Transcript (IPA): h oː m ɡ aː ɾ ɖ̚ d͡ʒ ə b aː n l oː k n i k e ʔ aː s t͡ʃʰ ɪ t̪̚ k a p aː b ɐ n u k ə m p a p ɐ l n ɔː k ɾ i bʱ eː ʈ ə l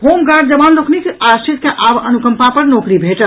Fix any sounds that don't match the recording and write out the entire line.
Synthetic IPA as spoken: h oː m ɡ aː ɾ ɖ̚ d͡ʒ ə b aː n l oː k n i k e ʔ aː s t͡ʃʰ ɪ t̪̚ k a ʔ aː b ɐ n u k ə m p a p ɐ ɾ n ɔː k ɾ i bʱ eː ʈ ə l

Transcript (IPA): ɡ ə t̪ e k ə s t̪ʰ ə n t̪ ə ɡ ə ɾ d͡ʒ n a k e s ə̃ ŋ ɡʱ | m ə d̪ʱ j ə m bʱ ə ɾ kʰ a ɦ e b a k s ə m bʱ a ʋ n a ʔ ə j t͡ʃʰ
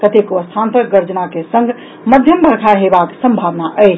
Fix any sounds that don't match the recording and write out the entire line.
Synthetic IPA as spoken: k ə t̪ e k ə s t̪ʰ a n t̪ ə ɡ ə ɾ d͡ʒ n a k e s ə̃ ŋ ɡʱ | m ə d̪ʱ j ə m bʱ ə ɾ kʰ a ɦ e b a k s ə m bʱ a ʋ n a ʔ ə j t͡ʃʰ

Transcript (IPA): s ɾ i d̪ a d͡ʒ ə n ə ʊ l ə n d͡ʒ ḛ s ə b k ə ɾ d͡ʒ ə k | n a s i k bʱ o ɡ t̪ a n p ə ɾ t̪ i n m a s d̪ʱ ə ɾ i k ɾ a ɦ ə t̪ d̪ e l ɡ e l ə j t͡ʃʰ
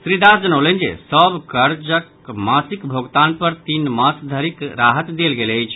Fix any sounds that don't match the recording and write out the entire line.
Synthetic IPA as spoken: s ɾ i d̪ a d͡ʒ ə n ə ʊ l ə n d͡ʒ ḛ s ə b k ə ɾ d͡ʒ ə k | m a s i k bʱ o ɡ t̪ a n p ə ɾ t̪ i n m a s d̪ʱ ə ɾ i k ɾ a ɦ ə t̪ d̪ e l ɡ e l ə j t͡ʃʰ

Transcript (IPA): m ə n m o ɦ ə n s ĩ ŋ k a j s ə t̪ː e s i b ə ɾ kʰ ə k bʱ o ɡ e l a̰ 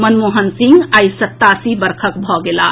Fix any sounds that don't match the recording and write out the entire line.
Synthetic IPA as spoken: m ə n m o ɦ ə n s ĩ ŋ ɡ a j s ə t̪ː a s i b ə ɾ kʰ ə k bʱ ɔ ɡ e l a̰

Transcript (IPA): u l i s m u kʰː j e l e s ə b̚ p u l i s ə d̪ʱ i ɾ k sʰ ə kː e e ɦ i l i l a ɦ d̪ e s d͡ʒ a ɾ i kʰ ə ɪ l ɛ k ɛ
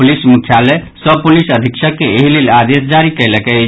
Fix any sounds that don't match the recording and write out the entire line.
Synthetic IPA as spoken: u l i s m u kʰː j a l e s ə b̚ p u l i s ə d̪ʱ i k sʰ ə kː e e ɦ i l e l a d̪ e s d͡ʒ a ɾ i k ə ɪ l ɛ k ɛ

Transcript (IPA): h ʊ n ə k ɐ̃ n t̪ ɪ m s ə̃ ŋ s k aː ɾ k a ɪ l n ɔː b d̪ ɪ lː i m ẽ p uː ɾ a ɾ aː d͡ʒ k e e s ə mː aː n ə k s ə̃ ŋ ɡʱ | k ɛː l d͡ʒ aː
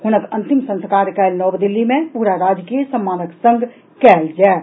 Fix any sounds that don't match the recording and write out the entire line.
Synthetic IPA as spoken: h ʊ n ə k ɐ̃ n t̪ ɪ m s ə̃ n s k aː ɾ k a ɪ l n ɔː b d̪ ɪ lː i m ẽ p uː ɾ a ɾ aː d͡ʒ k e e s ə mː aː n ə k s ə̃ ŋ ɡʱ | k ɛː l d͡ʒ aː

